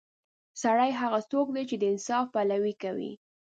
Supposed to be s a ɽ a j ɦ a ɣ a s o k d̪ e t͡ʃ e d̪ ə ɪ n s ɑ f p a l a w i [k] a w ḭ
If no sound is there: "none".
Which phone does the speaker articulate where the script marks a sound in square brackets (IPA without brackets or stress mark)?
k